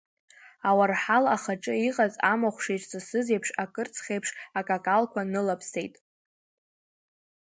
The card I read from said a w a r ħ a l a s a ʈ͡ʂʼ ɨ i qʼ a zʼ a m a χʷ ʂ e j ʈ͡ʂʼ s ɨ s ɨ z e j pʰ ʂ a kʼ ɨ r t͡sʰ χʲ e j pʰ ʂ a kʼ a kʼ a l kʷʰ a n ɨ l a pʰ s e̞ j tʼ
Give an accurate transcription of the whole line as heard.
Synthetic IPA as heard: a w a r ħ a l a χ a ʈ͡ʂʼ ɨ i qʼ a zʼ a m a χʷ ʂ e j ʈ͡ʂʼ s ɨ s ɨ z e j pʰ ʂ a kʼ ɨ r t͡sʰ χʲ e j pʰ ʂ a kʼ a kʼ a l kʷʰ a n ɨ l a pʰ s e̞ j tʼ